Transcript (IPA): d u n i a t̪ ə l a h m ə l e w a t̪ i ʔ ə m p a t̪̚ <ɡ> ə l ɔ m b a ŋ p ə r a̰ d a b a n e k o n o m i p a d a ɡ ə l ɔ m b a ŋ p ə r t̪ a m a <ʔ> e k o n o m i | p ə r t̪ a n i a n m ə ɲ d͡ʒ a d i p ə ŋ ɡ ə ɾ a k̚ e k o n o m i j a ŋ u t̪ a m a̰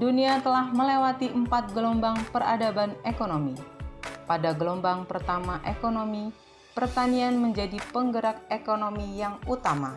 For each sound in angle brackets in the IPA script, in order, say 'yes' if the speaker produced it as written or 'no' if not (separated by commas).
yes, yes